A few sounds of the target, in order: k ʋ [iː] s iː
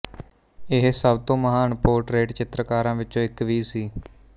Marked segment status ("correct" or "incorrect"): correct